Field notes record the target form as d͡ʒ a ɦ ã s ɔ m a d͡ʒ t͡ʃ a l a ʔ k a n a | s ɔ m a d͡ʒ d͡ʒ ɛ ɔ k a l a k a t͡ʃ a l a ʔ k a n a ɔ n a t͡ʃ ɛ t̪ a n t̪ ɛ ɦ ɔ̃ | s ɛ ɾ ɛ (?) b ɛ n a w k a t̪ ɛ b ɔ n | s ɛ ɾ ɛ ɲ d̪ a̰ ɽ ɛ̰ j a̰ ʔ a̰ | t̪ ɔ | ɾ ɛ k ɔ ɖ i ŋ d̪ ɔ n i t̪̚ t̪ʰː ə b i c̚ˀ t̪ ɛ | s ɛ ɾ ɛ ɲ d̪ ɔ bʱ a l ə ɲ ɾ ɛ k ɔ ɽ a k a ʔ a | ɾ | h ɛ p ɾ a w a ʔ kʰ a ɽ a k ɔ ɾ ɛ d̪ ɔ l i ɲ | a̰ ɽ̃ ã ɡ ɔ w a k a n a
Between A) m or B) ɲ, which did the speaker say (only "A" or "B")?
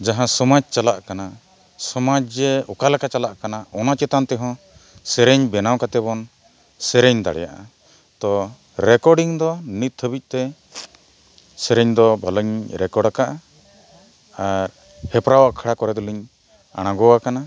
B